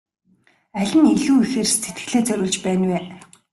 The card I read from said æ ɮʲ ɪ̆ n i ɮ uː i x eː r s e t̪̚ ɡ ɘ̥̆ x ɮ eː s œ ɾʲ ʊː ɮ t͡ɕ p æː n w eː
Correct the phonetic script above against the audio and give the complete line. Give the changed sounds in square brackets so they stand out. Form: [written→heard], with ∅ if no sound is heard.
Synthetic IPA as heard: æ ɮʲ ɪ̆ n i ɮ uː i x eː r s e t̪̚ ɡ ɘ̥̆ [x→∅] ɮ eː [s→t͡s] œ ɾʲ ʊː ɮ t͡ɕ p æː n w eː